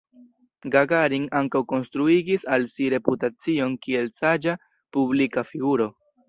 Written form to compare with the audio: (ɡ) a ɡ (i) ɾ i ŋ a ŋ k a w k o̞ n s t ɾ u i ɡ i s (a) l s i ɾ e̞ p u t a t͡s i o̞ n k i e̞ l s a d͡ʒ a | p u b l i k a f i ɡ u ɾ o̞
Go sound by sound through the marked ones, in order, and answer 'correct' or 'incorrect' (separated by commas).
correct, incorrect, correct